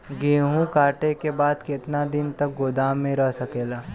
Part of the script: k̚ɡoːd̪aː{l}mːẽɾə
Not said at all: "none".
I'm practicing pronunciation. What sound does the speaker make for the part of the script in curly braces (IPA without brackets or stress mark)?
none